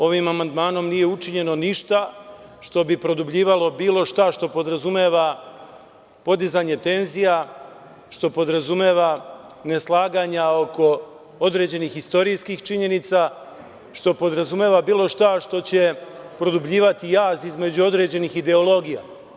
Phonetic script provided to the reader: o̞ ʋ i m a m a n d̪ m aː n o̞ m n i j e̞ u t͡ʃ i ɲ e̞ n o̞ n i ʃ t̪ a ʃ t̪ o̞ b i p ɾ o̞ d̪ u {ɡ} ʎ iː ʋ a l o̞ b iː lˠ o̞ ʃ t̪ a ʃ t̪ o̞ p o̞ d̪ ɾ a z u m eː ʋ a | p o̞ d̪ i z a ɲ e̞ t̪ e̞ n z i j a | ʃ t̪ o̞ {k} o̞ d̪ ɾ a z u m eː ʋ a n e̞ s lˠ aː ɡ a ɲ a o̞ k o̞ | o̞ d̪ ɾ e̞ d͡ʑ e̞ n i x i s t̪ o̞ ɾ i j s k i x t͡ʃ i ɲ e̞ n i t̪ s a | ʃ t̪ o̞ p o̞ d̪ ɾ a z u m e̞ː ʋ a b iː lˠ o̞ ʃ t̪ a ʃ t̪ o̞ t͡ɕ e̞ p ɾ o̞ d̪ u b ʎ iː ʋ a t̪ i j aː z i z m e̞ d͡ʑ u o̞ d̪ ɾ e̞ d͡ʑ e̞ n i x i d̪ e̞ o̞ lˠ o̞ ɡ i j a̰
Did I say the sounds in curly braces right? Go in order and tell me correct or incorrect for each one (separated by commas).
incorrect, incorrect